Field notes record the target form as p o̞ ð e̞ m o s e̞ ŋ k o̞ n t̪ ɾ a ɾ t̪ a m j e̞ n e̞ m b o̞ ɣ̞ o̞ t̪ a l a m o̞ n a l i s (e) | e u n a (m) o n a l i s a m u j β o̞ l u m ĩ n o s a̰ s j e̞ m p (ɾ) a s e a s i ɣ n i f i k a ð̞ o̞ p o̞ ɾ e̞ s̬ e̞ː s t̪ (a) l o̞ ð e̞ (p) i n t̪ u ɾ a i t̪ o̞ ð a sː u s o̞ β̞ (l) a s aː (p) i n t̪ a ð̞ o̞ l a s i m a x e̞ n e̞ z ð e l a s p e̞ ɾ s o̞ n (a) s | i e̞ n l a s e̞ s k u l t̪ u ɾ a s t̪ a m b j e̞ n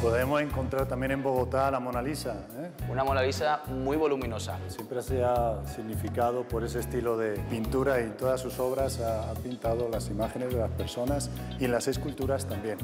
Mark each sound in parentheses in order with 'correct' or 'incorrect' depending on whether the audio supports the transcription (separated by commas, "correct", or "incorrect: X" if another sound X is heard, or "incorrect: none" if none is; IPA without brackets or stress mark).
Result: incorrect: a, correct, correct, incorrect: i, correct, incorrect: ɾ, correct, correct